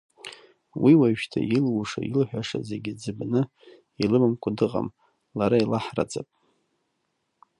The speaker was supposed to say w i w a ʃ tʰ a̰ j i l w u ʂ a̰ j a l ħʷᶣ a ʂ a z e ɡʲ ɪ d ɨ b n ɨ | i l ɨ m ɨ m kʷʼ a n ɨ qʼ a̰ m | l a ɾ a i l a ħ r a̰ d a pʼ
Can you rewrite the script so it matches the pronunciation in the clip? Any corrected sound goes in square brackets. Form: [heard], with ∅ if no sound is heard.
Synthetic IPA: w i w a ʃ tʰ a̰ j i l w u ʂ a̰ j [i] l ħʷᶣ a ʂ a z e ɡʲ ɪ [d͡z] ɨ b n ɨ | i l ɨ m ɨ m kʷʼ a [d] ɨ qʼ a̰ m | l a ɾ a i l a ħ r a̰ [d͡z] a pʼ

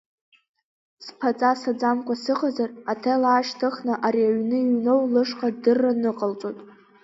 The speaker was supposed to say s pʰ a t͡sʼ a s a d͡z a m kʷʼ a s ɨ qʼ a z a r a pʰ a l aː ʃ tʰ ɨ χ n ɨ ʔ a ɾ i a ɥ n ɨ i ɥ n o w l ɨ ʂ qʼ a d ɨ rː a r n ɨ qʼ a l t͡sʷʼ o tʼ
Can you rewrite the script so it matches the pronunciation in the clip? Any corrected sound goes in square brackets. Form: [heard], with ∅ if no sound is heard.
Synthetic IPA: s pʰ a t͡sʼ a s a d͡z a m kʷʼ a s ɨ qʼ a z a r a [tʰ] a l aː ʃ tʰ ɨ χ n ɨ ʔ a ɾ i a ɥ n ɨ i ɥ n o w l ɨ ʂ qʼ a d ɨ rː a [∅] n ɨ qʼ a l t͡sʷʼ o tʼ

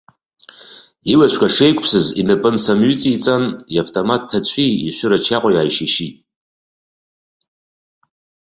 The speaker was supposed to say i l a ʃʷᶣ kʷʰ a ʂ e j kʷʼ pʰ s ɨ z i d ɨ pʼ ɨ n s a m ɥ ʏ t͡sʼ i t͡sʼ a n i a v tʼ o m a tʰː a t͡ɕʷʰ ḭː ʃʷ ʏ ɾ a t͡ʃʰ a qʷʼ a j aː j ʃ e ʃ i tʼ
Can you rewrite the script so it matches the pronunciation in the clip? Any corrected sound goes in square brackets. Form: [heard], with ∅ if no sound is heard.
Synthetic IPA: i l a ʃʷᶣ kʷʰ a ʂ e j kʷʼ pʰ s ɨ z i [n] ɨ pʼ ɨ n s a m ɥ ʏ t͡sʼ i t͡sʼ a n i a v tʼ o m a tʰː a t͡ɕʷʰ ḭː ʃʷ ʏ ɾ a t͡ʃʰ a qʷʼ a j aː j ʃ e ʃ i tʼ

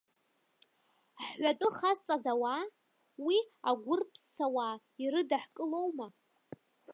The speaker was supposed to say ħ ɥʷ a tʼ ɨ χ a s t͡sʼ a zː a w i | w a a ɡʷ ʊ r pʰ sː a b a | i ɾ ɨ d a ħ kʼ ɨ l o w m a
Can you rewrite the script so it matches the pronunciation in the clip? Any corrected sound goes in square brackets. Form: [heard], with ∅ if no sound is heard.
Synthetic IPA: ħ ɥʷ a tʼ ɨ χ a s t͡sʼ a [z] a w [a] | w [i] a ɡʷ ʊ r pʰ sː a [w] a | i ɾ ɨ d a ħ kʼ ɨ l o w m a

